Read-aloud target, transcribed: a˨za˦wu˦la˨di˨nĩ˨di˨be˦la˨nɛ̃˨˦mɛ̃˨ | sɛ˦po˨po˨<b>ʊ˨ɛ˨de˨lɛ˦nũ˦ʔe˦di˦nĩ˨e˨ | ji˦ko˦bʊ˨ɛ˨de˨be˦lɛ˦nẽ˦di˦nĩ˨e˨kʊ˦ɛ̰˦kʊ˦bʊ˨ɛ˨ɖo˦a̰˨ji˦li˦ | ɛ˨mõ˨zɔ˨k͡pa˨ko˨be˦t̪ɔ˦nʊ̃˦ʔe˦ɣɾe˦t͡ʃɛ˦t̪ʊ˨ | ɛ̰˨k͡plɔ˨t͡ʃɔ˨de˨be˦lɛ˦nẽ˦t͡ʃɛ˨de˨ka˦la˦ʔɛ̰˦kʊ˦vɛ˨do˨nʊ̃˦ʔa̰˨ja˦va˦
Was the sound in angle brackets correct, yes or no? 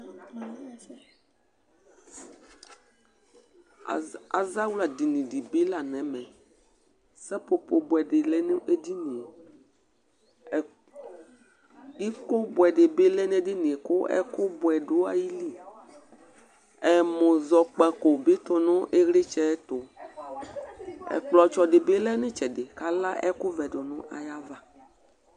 yes